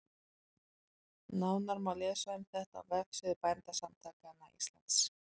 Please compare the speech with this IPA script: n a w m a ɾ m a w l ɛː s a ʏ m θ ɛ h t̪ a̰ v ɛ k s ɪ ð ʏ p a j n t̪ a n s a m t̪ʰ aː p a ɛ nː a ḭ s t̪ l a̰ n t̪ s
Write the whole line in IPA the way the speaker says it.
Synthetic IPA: n a w n a ɾ m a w l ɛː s a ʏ m θ ɛ h t̪ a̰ v ɛ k s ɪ ð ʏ p a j n t̪ a s a m t̪ʰ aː k a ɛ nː a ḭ s t̪ l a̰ n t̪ s